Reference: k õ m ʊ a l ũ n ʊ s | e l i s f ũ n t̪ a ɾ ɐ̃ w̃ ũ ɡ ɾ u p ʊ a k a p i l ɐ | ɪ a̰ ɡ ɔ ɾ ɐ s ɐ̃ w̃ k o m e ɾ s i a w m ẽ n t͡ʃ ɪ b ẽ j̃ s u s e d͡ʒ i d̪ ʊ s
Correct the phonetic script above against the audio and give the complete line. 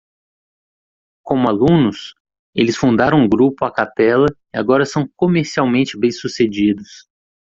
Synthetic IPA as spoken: k õ m ʊ a l ũ n ʊ s | e l ɪ s f ũ n d̪ a ɾ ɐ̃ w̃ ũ ɡ ɾ u p ʊ a k a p ɛ l ɐ | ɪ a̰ ɡ ɔ ɾ ɐ s ɐ̃ w̃ k o m e ɾ s i a w m ẽ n t͡ʃ ɪ b ẽ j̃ s u s e d͡ʒ i d̪ ʊ s